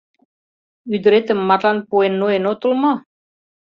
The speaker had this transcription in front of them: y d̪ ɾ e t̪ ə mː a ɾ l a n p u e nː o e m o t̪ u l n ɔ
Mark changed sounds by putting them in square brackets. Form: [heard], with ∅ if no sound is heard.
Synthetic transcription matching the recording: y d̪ ɾ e t̪ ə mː a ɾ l a n p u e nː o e [n] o t̪ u l [m] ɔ